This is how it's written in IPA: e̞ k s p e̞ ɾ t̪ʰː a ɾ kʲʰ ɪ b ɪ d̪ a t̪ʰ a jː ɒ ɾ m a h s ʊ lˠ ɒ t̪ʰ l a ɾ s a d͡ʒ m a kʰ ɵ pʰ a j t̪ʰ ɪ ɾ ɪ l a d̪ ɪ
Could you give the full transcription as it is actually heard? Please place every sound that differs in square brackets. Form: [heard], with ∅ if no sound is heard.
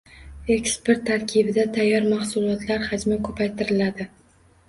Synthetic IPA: e̞ k s p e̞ ɾ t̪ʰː a ɾ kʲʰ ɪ b ɪ d̪ a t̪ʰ a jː ɒ ɾ m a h s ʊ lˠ ɒ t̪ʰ l a ɾ [h] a d͡ʒ m a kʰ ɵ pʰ a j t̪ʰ ɪ ɾ ɪ l a d̪ ɪ